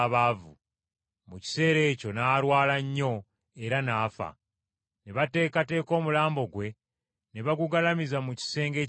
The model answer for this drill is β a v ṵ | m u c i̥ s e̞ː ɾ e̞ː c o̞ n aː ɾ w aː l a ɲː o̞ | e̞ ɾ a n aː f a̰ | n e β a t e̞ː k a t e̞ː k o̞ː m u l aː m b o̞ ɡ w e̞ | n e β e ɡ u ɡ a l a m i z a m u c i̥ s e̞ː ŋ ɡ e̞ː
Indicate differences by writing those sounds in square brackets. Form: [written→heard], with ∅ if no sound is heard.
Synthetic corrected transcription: β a v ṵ | m u c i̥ s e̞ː ɾ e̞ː c o̞ n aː ɾ w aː l a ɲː o̞ | e̞ ɾ a n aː f a̰ | n e β a t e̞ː k a t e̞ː k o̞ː m u l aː m b o̞ ɡ w e̞ | n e β [e→a] ɡ u ɡ a l a m i z a m u c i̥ s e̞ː ŋ ɡ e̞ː

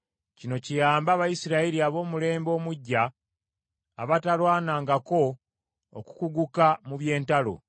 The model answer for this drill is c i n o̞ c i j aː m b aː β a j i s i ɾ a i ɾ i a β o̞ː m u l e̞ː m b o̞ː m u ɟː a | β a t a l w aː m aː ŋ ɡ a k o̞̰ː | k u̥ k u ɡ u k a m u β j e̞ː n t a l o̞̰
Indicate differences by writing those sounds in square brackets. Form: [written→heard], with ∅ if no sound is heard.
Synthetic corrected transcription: c i n o̞ c i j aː m b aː β a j i s i ɾ a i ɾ i a β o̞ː m u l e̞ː m b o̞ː m u ɟː a | β a t a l w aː [m→n] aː ŋ ɡ a k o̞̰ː | k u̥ k u ɡ u k a m u β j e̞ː n t a l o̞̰

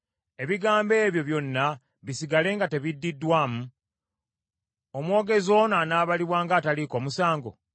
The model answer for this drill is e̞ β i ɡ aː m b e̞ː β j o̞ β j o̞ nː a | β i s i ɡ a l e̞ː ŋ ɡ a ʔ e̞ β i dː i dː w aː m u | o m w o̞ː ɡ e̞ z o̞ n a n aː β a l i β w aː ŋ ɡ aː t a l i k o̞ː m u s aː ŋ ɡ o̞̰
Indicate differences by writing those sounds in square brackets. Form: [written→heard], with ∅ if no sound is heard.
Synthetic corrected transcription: e̞ β i ɡ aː m b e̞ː β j o̞ β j o̞ nː a | β i s i ɡ a l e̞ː ŋ ɡ a [ʔ→t] e̞ β i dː i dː w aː m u | o m w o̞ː ɡ e̞ z o̞ n a n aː β a l i β w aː ŋ ɡ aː t a l i k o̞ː m u s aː ŋ ɡ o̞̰

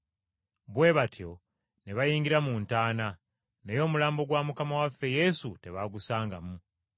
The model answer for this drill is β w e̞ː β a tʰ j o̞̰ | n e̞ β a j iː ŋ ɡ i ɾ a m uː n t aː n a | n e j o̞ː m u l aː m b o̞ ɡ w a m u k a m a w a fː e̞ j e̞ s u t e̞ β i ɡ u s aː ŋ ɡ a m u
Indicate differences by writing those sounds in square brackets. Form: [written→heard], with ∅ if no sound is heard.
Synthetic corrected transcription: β w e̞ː β a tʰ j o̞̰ | n e̞ β a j iː ŋ ɡ i ɾ a m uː n t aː n a | n e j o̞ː m u l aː m b o̞ ɡ w a m u k a m a w a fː e̞ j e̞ s u t e̞ β [i→a] ɡ u s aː ŋ ɡ a m u

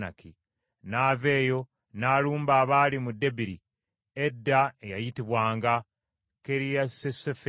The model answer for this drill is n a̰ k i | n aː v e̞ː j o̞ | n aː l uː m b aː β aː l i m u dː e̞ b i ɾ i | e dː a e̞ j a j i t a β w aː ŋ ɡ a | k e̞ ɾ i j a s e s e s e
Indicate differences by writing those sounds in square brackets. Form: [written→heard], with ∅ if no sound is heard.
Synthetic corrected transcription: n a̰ k i | n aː v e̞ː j o̞ | n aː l uː m b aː β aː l i m u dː e̞ b i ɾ i | e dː a e̞ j a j i t [a→i] β w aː ŋ ɡ a | k e̞ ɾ i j a s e s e [s→f] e

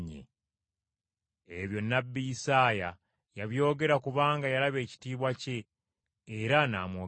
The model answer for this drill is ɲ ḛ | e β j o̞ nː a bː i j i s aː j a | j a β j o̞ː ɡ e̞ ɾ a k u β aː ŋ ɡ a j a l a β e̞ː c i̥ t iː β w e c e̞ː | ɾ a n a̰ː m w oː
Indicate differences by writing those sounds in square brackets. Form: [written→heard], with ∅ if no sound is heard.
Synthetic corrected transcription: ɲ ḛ | e β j o̞ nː a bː i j i s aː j a | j a β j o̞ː ɡ e̞ ɾ a k u β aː ŋ ɡ a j a l a β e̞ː c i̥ t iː β w [e→a] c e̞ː | ɾ a n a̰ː m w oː

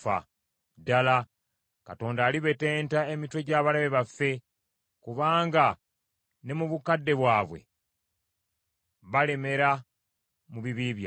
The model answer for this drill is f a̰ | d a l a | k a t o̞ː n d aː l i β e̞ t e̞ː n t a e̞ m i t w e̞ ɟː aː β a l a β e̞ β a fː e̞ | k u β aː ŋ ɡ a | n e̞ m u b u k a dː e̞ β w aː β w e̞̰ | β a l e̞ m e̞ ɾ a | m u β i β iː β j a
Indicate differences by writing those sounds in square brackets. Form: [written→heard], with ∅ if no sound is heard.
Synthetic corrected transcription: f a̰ | d a l a | k a t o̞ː n d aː l i β e̞ t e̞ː n t a e̞ m i t w e̞ [ɟː→ɟ] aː β a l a β e̞ β a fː e̞ | k u β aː ŋ ɡ a | n e̞ m u [b→β] u k a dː e̞ β w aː β w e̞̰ | β a l e̞ m e̞ ɾ a | m u β i β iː β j a

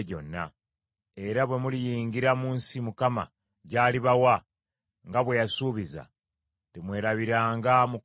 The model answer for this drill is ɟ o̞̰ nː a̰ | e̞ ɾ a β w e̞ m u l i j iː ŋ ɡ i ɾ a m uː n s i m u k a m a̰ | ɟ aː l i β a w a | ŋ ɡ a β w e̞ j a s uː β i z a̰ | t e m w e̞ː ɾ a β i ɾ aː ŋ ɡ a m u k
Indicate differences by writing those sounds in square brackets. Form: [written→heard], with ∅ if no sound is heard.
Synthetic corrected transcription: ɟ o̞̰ nː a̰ | e̞ ɾ a β w e̞ m u l i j iː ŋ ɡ i ɾ a m uː n s i m u k a m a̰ | ɟ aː l i β a w a | ŋ ɡ a β w e̞ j a s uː β i z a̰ | t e m w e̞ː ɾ a β i ɾ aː ŋ ɡ a m u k

